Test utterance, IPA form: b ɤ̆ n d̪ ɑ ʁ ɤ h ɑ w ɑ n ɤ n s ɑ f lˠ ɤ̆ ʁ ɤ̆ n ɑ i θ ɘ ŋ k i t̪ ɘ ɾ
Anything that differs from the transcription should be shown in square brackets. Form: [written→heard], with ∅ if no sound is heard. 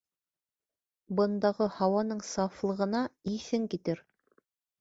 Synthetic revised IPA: b ɤ̆ n d̪ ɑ ʁ ɤ h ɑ w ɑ n ɤ [n→ɴ] s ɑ f lˠ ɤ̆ ʁ ɤ̆ n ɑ i θ ɘ ŋ k i t̪ ɘ ɾ